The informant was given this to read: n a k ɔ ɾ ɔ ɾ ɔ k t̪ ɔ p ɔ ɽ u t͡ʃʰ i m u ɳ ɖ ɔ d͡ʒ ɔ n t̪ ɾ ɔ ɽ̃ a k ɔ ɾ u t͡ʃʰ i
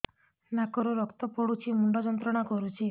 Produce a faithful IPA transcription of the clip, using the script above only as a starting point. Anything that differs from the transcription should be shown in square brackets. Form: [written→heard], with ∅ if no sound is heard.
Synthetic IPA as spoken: n a k ɔ ɾ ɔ ɾ ɔ k t̪ ɔ p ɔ ɽ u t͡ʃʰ i m u ɳ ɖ ɔ d͡ʒ ɔ n t̪ ɾ ɔ ɽ̃ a k ɔ ɾ u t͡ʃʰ i